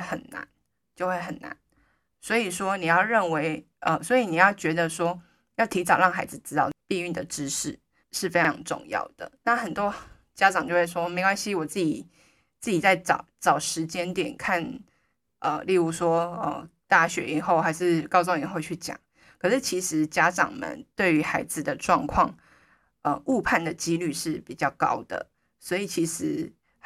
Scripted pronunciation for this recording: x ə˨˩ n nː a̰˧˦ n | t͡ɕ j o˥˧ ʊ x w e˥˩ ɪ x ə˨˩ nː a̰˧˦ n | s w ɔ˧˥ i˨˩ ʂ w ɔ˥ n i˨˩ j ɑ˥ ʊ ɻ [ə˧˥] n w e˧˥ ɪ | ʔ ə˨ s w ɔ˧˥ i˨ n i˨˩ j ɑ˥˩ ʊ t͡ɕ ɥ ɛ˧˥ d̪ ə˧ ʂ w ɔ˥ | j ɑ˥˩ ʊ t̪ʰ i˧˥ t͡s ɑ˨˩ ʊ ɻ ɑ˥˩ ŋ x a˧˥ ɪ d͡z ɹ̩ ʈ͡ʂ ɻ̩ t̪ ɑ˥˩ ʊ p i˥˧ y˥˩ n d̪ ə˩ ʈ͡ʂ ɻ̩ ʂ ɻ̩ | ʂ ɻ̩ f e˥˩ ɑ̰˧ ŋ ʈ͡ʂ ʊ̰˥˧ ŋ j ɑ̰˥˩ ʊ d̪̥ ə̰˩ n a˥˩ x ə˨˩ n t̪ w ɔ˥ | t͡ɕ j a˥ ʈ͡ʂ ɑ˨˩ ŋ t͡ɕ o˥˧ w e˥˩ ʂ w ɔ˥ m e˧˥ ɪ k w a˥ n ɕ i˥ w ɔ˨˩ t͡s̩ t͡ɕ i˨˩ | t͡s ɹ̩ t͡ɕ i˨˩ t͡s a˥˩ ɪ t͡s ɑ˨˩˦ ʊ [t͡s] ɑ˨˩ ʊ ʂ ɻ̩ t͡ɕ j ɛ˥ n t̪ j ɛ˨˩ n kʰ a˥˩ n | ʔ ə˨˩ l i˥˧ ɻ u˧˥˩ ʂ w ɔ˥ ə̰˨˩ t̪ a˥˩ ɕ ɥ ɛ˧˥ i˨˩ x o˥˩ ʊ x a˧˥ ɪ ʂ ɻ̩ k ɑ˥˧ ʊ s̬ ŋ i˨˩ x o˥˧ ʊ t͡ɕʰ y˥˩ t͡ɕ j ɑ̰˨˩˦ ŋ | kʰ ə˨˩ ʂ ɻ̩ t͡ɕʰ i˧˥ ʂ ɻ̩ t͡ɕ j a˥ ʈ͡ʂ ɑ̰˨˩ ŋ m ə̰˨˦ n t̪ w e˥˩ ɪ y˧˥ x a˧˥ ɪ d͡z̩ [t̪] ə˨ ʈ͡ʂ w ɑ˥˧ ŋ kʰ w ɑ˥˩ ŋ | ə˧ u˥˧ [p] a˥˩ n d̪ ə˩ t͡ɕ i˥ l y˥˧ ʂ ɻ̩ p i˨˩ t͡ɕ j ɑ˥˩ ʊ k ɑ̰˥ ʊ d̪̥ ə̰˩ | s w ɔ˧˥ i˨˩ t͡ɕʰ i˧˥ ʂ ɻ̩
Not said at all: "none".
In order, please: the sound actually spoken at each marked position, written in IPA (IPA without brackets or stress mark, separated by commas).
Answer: ə˥˩, t͡s, d̪, pʰ